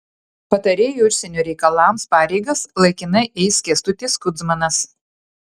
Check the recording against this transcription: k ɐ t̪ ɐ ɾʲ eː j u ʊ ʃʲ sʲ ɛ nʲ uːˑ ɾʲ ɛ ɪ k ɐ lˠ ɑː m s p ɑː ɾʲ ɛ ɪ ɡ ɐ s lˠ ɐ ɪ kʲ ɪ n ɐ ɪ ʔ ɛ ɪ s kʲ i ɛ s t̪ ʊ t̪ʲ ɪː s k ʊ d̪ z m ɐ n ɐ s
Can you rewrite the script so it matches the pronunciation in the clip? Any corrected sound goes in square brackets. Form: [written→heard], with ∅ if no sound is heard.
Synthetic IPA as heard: [k→p] ɐ t̪ ɐ ɾʲ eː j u ʊ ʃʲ sʲ ɛ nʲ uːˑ ɾʲ ɛ ɪ k ɐ lˠ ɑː m s p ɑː ɾʲ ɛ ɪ ɡ ɐ s lˠ ɐ ɪ kʲ ɪ n ɐ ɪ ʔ ɛ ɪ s kʲ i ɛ s t̪ ʊ t̪ʲ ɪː s k ʊ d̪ z m ɐ n ɐ s

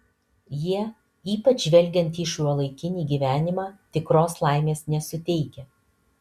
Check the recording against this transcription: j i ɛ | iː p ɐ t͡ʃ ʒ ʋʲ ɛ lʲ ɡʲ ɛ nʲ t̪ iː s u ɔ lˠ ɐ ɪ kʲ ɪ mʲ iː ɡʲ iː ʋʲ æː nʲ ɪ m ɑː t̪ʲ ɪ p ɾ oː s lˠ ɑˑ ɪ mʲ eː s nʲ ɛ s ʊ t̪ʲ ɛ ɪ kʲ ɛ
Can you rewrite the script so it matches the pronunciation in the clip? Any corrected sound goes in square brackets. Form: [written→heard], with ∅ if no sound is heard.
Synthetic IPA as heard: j i ɛ | iː p ɐ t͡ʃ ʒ ʋʲ ɛ lʲ ɡʲ ɛ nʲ t̪ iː [s→ʃ] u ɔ lˠ ɐ ɪ kʲ ɪ [mʲ→nʲ] iː ɡʲ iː ʋʲ æː nʲ ɪ m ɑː t̪ʲ ɪ [p→k] ɾ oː s lˠ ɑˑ ɪ mʲ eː s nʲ ɛ s ʊ t̪ʲ ɛ ɪ kʲ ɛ

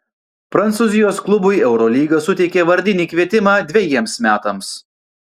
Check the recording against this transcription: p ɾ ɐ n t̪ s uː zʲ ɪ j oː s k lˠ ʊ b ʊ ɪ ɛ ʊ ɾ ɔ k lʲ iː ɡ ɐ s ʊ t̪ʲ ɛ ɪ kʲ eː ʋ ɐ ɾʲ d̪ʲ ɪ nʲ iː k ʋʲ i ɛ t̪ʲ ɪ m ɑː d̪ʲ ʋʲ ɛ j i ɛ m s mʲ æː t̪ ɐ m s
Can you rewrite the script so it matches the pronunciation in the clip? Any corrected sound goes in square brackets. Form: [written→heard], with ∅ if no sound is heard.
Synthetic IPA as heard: p ɾ ɐ n t̪ s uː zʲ ɪ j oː s k lˠ ʊ b ʊ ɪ ɛ ʊ ɾ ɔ [k→∅] lʲ iː ɡ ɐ s ʊ t̪ʲ ɛ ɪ kʲ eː ʋ ɐ ɾʲ d̪ʲ ɪ nʲ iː k ʋʲ i ɛ t̪ʲ ɪ m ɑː d̪ʲ ʋʲ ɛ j i ɛ m s mʲ æː t̪ ɐ m s

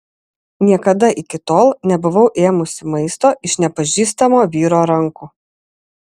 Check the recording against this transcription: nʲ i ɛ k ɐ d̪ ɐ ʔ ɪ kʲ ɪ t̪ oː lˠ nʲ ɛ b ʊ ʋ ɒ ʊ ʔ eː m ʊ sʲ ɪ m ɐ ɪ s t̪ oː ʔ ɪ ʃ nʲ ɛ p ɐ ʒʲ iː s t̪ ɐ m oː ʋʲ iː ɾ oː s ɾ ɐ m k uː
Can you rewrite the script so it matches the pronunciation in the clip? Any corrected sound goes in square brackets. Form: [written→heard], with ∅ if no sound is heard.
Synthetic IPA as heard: nʲ i ɛ k ɐ d̪ ɐ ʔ ɪ kʲ ɪ t̪ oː lˠ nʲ ɛ b ʊ ʋ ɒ ʊ ʔ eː m ʊ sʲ ɪ m ɐ ɪ s t̪ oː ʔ ɪ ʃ nʲ ɛ p ɐ ʒʲ iː s t̪ ɐ m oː ʋʲ iː ɾ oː [s→∅] ɾ ɐ [m→ŋ] k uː

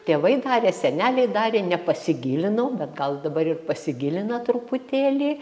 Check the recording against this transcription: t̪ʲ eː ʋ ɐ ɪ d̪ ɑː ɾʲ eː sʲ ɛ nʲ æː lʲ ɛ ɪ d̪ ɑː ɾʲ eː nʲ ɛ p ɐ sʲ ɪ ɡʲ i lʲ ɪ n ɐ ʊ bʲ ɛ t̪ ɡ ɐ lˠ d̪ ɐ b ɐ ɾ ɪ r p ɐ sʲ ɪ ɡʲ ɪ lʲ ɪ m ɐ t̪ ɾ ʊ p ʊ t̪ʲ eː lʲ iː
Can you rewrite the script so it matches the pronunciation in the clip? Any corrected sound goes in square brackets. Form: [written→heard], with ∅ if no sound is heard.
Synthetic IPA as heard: t̪ʲ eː ʋ ɐ ɪ d̪ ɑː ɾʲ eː sʲ ɛ nʲ æː lʲ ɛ ɪ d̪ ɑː ɾʲ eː nʲ ɛ p ɐ sʲ ɪ ɡʲ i lʲ ɪ n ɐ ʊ bʲ ɛ t̪ ɡ ɐ lˠ d̪ ɐ b ɐ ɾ ɪ r p ɐ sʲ ɪ ɡʲ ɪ lʲ ɪ [m→n] ɐ t̪ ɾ ʊ p ʊ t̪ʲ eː lʲ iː

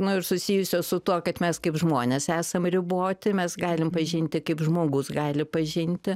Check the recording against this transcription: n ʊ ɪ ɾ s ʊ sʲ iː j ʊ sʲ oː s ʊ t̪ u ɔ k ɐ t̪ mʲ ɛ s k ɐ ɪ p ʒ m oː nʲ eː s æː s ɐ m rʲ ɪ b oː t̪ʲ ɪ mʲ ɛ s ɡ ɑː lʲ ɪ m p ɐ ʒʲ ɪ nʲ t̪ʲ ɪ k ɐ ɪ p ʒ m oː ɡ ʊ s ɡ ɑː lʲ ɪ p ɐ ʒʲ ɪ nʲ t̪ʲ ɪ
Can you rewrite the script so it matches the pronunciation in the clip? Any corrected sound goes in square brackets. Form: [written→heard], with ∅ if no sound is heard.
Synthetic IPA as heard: n ʊ ɪ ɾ s ʊ sʲ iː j ʊ sʲ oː s ʊ t̪ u ɔ k ɐ t̪ mʲ ɛ s k ɐ ɪ p ʒ m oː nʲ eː s æː s ɐ m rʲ ɪ b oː t̪ʲ ɪ mʲ ɛ s ɡ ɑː lʲ ɪ m p ɐ ʒʲ ɪ nʲ t̪ʲ ɪ k ɐ ɪ p ʒ m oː ɡ ʊ s ɡ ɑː lʲ ɪ p ɐ ʒʲ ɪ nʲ t̪ʲ ɪ

